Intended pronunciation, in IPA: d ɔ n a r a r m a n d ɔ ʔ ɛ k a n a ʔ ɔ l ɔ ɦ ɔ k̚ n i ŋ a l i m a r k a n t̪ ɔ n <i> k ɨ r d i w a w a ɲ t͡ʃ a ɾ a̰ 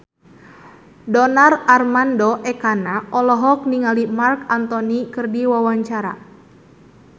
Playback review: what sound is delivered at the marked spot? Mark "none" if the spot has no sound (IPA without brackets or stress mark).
i